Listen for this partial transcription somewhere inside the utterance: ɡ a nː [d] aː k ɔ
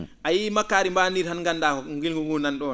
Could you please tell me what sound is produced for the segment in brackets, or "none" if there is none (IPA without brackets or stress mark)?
d